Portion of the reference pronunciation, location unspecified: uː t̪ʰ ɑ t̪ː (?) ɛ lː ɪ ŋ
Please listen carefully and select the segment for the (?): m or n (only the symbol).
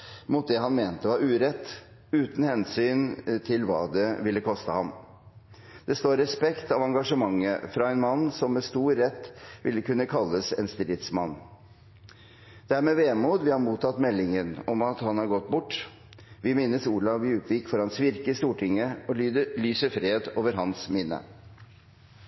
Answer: m